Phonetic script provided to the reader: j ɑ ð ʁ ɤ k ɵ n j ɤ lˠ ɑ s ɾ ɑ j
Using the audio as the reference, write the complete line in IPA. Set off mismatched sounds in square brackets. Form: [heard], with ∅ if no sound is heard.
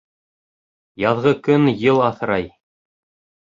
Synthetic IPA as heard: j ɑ ð ʁ ɤ k ɵ n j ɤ lˠ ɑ [θ] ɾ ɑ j